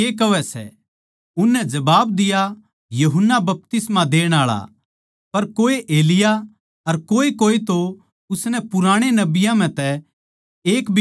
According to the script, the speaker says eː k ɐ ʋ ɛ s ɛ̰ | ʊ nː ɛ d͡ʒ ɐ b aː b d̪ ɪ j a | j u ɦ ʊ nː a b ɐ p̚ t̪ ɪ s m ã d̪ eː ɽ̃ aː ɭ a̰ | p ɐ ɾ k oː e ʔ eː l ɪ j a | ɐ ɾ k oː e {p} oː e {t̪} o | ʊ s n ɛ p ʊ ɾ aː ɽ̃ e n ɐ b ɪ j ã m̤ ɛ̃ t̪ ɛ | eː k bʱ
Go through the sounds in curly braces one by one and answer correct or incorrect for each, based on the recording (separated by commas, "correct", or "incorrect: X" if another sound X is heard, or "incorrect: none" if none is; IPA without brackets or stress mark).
incorrect: k, correct